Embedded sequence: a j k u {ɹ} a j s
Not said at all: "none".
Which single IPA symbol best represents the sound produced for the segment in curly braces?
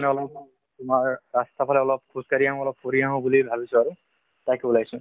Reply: l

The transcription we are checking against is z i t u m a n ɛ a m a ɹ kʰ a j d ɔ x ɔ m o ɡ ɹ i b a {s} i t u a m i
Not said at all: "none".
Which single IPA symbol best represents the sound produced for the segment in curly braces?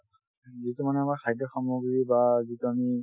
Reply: z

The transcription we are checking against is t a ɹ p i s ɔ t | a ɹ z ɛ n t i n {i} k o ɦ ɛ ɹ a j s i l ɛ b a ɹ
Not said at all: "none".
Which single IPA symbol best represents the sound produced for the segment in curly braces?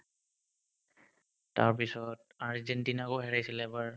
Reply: a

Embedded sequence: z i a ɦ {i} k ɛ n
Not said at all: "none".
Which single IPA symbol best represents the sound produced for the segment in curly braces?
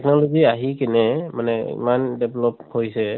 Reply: i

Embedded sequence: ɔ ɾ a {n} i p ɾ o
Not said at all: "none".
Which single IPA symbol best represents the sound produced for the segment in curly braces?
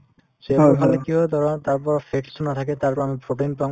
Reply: m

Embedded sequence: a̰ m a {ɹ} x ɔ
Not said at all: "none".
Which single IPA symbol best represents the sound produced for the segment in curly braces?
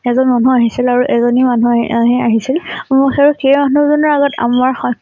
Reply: ɹ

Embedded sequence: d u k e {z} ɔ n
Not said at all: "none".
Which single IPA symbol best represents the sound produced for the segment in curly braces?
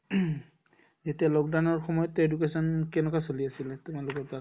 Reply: s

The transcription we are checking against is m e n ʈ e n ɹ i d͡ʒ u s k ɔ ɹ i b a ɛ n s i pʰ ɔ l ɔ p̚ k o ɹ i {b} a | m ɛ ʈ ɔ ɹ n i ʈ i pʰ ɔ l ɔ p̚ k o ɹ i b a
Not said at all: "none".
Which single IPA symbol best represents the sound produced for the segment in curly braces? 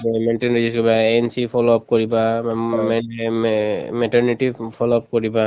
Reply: b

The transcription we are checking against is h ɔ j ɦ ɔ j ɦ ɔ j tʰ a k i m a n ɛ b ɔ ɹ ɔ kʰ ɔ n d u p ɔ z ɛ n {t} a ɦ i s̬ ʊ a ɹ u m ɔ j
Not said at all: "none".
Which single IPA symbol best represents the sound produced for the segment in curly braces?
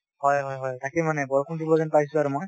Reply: p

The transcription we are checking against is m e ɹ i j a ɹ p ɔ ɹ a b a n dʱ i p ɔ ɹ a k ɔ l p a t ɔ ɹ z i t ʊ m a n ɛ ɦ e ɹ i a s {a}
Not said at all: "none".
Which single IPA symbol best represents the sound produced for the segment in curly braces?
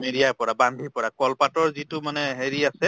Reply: ɛ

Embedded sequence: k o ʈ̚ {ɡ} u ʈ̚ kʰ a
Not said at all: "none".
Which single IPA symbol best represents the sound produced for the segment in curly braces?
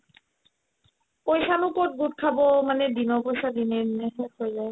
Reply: ɡ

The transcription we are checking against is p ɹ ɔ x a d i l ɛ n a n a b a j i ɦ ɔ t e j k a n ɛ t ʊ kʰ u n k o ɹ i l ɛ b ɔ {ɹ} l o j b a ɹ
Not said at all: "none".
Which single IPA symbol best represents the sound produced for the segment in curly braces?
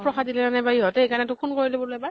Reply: none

